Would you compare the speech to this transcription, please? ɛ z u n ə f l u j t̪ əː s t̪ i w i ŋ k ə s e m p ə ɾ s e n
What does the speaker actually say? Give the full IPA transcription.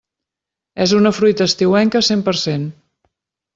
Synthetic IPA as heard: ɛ z u n ə f ɾ u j t̪ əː s t̪ i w ɛ ŋ k ə s e m p ə ɾ s e n